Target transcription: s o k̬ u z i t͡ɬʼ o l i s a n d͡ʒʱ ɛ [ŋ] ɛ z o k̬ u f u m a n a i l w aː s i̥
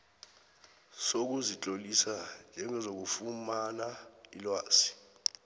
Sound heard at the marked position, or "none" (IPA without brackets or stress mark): ŋ